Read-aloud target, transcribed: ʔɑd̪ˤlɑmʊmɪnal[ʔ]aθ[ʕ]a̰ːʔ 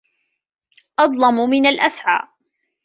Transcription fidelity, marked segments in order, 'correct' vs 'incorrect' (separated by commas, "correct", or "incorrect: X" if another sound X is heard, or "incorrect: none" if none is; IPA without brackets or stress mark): correct, correct